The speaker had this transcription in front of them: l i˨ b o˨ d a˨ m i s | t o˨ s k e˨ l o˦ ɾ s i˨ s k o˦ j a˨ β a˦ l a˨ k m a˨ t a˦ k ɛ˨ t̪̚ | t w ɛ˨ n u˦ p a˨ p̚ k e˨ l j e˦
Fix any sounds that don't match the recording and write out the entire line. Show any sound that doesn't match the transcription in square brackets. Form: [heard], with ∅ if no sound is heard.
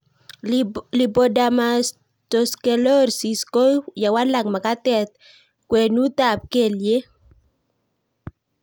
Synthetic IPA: l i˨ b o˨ d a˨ m [a] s | t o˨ s k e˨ l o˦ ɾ s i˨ s k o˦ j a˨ [w] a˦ l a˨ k m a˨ [k] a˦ [t] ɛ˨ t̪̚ | [k] w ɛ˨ n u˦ [t] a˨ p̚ k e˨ l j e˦